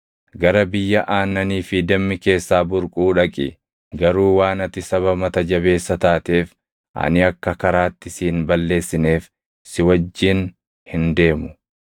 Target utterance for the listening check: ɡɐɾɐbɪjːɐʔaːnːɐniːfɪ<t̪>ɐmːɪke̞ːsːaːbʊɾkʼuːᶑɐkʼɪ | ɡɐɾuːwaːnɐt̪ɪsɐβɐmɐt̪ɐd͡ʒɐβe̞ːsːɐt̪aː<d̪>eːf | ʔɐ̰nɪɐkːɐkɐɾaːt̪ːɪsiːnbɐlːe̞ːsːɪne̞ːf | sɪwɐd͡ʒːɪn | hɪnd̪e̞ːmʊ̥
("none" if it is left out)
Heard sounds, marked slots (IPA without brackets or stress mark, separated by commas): d̪, t̪